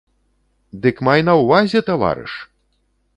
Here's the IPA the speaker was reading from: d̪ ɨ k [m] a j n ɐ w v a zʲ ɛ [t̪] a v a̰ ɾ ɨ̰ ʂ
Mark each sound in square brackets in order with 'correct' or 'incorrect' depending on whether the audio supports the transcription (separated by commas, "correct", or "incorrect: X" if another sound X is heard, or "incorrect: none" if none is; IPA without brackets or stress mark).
correct, correct